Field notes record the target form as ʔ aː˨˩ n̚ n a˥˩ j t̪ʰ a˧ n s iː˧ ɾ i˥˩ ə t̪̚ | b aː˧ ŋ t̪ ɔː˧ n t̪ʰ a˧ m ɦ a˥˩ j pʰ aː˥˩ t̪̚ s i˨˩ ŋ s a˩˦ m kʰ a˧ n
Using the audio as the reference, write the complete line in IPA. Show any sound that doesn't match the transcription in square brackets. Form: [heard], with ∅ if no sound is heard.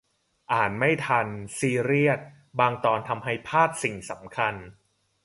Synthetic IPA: ʔ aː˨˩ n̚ [m] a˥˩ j t̪ʰ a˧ n s iː˧ ɾ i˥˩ ə t̪̚ | b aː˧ ŋ t̪ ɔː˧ n t̪ʰ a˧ m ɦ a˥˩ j pʰ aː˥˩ t̪̚ s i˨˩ ŋ s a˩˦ m kʰ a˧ n